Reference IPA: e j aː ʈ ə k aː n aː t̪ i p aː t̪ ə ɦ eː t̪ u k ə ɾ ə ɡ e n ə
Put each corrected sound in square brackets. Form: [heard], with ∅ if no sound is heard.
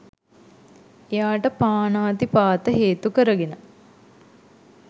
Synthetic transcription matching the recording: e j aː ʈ ə [p] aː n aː t̪ i p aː t̪ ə ɦ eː t̪ u k ə ɾ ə ɡ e n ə